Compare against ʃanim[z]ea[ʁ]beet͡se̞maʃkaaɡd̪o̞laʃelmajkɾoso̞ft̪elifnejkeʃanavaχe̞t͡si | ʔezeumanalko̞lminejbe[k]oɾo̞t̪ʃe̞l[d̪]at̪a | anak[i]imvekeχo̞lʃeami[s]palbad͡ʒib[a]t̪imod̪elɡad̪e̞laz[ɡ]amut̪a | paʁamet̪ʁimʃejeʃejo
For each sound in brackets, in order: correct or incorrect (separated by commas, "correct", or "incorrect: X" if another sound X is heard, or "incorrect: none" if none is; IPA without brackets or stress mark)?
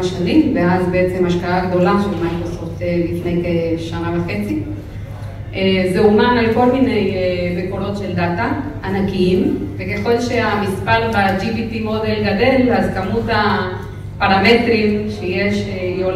incorrect: v, incorrect: z, correct, correct, correct, correct, incorrect: i, incorrect: k